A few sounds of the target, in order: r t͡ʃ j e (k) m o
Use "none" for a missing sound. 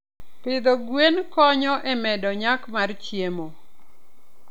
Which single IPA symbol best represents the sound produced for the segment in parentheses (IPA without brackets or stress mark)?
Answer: none